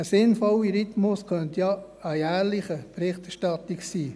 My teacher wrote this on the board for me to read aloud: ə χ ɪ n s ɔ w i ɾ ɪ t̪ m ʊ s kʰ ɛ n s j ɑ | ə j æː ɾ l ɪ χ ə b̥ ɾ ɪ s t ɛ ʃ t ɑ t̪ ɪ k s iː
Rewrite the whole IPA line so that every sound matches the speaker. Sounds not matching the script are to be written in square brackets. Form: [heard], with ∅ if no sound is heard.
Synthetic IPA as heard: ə [s] ɪ n [f] ɔ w i ɾ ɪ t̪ m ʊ s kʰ [œ] n [t] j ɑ | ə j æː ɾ l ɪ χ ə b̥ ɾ ɪ [χ] t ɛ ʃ t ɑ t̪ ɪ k s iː